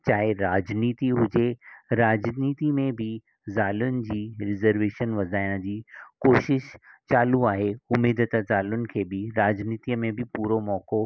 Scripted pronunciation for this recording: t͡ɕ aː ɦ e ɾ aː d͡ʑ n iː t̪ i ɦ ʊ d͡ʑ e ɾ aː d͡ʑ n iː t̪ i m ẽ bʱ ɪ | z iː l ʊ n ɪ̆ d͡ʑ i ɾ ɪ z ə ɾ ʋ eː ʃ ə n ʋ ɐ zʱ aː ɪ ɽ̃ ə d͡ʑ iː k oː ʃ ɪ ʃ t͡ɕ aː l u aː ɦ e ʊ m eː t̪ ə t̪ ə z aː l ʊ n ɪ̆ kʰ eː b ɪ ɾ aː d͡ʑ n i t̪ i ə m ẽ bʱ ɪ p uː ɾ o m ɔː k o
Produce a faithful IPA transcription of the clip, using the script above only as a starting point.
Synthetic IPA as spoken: t͡ɕ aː ɦ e ɾ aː d͡ʑ n iː t̪ i ɦ ʊ d͡ʑ e ɾ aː d͡ʑ n iː t̪ i m ẽ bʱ ɪ | z aː l ʊ n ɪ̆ d͡ʑ iː ɾ ɪ z ə ɾ ʋ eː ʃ ə n ʋ ɐ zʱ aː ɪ ɽ̃ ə d͡ʑ iː k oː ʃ ɪ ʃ t͡ɕ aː l u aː ɦ e ʊ m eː d̪ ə t̪ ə z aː l ʊ n ɪ̆ kʰ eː b ɪ ɾ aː d͡ʑ n iː t̪ i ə m ẽ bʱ ɪ p uː ɾ o m ɔː k o